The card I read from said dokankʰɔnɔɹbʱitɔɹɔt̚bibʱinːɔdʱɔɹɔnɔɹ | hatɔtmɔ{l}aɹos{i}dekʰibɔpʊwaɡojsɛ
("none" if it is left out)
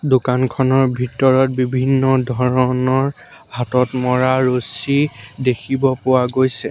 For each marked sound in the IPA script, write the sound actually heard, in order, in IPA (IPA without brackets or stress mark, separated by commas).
ɹ, i